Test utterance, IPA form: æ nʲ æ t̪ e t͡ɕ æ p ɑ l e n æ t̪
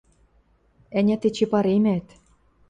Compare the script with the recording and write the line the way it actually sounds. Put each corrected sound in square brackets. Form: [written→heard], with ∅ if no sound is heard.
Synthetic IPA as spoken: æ nʲ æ t̪ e t͡ɕ [æ→e] p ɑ [l→ɾ] e [n→m] æ t̪